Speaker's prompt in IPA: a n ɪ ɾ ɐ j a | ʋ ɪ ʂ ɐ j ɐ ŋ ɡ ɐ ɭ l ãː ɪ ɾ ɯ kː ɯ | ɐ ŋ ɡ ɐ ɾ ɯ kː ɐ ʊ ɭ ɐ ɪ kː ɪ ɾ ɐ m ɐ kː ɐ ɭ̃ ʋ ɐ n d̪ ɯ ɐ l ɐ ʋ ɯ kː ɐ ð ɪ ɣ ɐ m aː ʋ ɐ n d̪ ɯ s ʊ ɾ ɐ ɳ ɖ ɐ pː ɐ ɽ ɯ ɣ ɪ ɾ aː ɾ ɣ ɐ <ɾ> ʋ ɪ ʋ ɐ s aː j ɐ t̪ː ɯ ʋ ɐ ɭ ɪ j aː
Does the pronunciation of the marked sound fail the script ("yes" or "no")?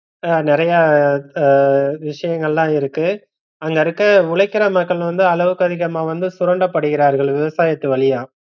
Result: yes